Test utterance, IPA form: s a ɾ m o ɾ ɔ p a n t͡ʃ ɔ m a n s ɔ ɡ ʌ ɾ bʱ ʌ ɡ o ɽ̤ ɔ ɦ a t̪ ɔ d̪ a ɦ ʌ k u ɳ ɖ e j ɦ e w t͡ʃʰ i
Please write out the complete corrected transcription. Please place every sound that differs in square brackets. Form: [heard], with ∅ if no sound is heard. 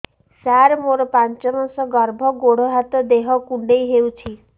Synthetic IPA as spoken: s a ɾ m o ɾ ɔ p a n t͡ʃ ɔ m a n s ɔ ɡ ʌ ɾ bʱ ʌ ɡ o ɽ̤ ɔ ɦ a t̪ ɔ d̪ [e] ɦ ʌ k u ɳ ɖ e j ɦ e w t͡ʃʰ i